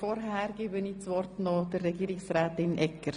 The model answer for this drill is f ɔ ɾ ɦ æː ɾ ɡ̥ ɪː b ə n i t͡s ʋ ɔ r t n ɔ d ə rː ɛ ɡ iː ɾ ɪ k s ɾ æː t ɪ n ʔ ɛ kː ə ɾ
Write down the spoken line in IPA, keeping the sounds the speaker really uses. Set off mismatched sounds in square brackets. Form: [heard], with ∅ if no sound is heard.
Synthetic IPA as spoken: f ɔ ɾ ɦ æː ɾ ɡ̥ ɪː b ə n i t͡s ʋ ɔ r t n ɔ d ə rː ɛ ɡ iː ɾ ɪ k s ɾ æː t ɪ n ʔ ɛ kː ə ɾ